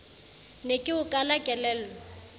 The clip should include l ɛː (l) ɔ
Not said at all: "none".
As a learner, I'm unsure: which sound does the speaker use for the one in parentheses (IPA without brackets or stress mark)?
l